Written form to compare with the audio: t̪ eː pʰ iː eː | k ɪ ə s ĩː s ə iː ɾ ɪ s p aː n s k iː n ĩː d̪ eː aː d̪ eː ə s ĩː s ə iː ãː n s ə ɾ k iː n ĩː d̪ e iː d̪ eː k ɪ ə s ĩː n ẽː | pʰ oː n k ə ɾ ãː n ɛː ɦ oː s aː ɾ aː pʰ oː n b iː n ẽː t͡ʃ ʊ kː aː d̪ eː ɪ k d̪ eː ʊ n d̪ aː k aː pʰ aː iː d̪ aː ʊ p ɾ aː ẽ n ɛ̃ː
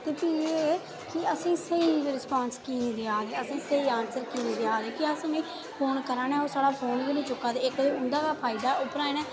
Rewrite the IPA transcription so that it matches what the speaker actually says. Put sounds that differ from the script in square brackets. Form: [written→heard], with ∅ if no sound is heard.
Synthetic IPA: t̪ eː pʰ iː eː | k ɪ ə s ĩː s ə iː ɾ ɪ s p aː n s k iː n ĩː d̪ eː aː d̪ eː ə s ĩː s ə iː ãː n s ə ɾ k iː n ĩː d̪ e [iː→aː] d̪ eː k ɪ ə s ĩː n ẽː | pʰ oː n k ə ɾ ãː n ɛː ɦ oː s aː [ɾ→ɽ] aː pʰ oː n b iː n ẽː t͡ʃ ʊ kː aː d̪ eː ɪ k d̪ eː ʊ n d̪ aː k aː pʰ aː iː d̪ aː ʊ p ɾ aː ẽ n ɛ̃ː